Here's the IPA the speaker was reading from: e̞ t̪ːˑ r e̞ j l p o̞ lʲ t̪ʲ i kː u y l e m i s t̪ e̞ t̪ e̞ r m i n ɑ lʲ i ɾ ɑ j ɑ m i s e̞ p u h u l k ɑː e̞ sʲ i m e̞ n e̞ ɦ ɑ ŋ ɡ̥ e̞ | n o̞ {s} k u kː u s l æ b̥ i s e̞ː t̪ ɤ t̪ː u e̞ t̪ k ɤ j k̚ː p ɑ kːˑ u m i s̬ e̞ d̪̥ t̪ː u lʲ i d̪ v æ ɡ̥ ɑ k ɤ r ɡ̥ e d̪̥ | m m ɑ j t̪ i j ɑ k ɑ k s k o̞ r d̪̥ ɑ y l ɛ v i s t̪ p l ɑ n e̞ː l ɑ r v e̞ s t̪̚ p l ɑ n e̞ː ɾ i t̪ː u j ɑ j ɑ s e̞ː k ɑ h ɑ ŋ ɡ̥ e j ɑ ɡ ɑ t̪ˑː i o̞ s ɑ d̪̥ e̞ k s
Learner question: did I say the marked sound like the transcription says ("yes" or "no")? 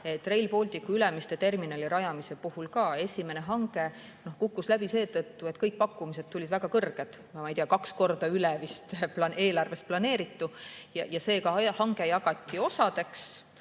no